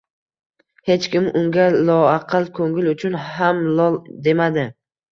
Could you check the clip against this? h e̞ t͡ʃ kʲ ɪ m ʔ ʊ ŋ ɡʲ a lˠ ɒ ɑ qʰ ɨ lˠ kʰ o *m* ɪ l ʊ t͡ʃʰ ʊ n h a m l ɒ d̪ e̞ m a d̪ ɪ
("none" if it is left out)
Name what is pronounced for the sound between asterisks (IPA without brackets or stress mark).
ŋ